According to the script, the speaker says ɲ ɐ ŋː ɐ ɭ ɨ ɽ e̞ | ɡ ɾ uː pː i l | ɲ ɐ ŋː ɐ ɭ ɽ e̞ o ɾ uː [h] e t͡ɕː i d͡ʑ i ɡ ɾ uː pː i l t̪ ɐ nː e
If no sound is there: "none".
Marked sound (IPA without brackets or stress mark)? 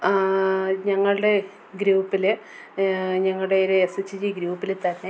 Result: s